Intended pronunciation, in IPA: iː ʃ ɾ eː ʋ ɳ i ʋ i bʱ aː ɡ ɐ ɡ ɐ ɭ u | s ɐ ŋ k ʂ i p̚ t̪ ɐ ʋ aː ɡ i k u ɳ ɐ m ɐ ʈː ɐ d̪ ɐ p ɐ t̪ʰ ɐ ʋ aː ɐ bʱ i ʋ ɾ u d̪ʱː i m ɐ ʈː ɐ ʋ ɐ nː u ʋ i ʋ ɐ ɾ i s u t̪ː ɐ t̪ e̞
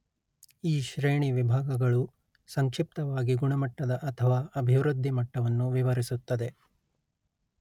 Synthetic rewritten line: iː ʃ ɾ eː ɳ i ʋ i bʱ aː ɡ ɐ ɡ ɐ ɭ u | s ɐ ŋ k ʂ i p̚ t̪ ɐ ʋ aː ɡ i ɡ u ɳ ɐ m ɐ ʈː ɐ d̪ ɐ ʔ ɐ t̪ʰ ɐ ʋ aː ɐ bʱ i ʋ ɾ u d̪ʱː i m ɐ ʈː ɐ ʋ ɐ nː u ʋ i ʋ ɐ ɾ i s u t̪ː ɐ d̪ e̞